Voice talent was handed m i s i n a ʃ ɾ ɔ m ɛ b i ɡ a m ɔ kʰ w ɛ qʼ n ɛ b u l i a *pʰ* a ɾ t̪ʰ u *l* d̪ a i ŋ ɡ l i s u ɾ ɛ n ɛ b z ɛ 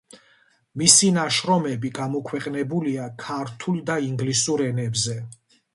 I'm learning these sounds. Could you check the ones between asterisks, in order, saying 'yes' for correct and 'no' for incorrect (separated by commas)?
no, yes